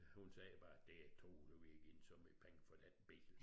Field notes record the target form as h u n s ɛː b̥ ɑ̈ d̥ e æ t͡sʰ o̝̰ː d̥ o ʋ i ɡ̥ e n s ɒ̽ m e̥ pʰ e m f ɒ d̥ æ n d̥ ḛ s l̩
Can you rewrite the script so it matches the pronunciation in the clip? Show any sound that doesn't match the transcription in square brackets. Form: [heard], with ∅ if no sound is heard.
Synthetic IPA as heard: h u n s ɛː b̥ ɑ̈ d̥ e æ t͡sʰ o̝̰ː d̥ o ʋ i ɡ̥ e n s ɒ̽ m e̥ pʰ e [ŋ] f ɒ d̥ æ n [b̥] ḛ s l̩